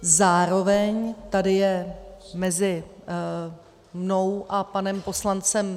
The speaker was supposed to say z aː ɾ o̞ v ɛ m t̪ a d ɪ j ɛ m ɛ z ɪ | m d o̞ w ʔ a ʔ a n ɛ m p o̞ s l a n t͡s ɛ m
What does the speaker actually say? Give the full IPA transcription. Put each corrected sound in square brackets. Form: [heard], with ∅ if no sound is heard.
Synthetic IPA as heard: z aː ɾ o̞ v ɛ [ɲ] t̪ a d ɪ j ɛ m ɛ z ɪ | m [n] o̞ w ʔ a [p] a n ɛ m p o̞ s l a n t͡s ɛ m